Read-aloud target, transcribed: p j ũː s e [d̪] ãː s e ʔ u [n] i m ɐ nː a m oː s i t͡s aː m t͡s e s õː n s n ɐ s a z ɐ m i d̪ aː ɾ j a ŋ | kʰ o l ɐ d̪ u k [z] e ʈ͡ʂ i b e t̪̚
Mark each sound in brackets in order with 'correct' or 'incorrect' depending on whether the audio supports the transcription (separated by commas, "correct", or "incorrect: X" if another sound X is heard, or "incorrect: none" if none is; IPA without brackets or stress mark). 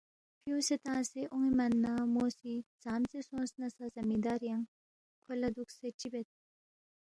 incorrect: t̪, incorrect: ŋ, incorrect: s